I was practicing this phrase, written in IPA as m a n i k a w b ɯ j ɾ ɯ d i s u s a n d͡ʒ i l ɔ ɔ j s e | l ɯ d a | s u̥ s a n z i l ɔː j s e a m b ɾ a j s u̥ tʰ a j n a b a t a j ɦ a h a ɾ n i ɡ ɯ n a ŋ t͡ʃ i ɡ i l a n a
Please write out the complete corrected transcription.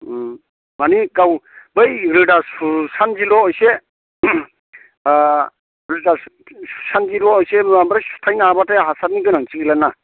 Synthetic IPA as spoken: m a n i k a w b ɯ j ɾ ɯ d a s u s a n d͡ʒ i l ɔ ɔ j s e | ɾ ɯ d a | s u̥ s a n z i l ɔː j s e a m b ɾ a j s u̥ tʰ a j n a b a t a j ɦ a s a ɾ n i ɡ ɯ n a ŋ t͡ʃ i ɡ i l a n a